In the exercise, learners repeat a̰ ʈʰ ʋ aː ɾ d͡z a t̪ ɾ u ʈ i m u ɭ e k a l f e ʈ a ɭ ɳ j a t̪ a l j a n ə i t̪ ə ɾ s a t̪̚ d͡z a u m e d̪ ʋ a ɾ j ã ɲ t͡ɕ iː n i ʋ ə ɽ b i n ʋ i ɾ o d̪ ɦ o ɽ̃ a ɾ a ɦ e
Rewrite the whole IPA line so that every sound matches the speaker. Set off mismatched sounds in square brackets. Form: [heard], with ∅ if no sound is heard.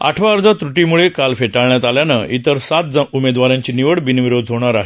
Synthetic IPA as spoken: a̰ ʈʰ ʋ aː ɾ d͡z a t̪ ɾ u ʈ i m u ɭ e k a l f e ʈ a ɭ ɳ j a t̪ a l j a n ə i t̪ ə ɾ s a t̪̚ d͡z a u m e d̪ ʋ a ɾ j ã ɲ t͡ɕ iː n i ʋ ə ɽ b i n ʋ i ɾ o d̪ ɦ o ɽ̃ a ɾ a ɦ e